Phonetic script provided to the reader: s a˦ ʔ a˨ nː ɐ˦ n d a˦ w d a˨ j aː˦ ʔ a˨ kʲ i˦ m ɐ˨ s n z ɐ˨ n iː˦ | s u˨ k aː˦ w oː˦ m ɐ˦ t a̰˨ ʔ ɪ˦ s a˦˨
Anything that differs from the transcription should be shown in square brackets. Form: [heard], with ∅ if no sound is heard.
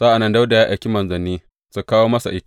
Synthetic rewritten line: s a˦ ʔ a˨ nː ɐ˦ n d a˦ w d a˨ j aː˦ ʔ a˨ kʲ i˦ m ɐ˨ [∅] n z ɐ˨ n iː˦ | s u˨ k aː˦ w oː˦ m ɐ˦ [s] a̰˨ ʔ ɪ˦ [t] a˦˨